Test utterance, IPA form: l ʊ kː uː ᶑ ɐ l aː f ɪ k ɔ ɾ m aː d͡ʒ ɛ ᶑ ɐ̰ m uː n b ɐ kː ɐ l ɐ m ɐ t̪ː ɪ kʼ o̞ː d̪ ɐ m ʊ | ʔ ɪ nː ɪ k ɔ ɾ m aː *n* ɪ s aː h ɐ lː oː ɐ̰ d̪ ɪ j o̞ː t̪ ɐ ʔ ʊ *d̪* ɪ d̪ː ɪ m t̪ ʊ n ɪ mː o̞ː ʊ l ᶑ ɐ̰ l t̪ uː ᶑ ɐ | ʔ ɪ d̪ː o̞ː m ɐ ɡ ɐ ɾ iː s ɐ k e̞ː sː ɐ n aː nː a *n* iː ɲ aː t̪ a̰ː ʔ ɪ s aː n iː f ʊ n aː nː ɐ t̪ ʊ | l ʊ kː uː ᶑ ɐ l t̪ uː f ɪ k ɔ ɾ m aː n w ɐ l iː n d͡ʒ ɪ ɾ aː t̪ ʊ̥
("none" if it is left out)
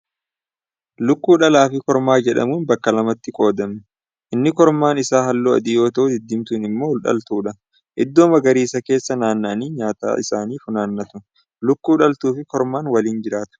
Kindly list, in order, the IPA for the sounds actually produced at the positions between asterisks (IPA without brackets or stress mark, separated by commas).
n, d̪, n